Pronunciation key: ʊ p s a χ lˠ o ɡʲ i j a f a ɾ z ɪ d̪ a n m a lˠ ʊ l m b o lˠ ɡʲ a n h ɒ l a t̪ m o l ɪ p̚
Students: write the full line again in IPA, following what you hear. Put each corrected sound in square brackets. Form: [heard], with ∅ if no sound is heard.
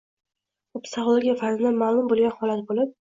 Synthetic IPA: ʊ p s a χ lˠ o ɡʲ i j a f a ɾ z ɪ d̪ a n m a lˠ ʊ [∅] m b o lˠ ɡʲ a n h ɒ l a t̪ [b] o l ɪ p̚